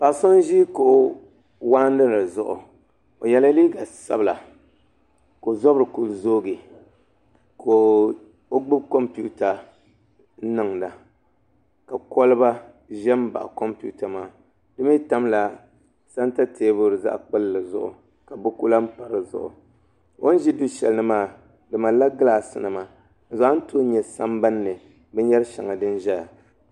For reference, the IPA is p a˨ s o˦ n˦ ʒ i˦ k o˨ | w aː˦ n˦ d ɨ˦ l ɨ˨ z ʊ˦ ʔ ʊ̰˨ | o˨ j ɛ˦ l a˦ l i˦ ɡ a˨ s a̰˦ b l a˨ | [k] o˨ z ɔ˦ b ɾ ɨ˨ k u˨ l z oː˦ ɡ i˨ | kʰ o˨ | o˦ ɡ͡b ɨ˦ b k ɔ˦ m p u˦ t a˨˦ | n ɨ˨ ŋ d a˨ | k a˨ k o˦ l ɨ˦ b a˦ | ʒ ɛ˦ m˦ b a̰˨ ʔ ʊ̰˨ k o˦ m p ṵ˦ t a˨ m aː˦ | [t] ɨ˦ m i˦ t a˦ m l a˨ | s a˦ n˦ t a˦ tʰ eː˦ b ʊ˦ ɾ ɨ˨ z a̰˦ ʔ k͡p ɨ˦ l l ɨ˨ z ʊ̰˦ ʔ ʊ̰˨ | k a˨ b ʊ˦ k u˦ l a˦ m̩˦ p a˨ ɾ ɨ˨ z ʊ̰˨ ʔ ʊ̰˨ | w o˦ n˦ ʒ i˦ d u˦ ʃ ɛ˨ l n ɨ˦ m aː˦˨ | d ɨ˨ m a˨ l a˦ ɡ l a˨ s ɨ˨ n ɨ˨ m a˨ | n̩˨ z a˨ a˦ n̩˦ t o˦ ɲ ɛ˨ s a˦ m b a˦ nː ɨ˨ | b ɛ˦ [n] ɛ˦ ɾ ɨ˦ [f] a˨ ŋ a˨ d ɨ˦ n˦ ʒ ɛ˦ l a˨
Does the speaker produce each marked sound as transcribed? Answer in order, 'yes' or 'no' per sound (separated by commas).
yes, no, no, no